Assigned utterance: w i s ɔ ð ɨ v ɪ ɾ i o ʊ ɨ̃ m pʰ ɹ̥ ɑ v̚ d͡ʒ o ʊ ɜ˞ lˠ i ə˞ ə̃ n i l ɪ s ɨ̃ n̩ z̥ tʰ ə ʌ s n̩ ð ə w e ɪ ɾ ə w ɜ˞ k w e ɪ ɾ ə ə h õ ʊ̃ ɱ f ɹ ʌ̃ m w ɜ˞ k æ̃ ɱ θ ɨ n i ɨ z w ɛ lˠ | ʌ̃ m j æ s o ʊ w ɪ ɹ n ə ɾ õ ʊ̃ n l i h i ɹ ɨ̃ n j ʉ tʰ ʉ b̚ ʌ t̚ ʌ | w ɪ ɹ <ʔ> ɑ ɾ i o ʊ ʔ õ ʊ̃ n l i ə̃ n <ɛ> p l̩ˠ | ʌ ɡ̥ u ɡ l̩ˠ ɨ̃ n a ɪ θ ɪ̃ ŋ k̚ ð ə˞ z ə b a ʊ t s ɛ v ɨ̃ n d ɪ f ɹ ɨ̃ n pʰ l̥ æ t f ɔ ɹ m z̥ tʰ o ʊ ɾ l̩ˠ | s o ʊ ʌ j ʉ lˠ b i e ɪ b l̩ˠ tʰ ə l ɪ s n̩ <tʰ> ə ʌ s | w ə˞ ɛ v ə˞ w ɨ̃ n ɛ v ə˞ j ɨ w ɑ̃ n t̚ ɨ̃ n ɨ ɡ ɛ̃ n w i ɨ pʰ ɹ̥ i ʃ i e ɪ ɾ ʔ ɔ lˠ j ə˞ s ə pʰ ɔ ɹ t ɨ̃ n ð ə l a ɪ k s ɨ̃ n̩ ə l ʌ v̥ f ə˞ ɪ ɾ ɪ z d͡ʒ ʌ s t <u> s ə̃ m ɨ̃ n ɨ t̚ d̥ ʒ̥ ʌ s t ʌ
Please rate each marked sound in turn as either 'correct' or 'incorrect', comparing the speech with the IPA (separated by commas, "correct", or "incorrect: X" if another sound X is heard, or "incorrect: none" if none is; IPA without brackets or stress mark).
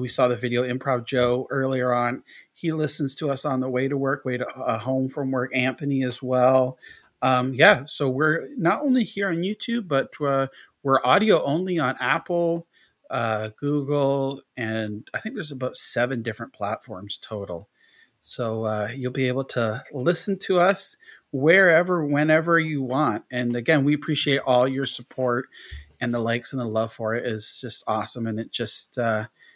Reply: correct, incorrect: æ, correct, incorrect: ɔ